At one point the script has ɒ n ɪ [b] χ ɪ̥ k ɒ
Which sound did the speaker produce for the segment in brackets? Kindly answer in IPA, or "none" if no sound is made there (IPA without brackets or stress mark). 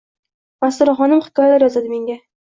m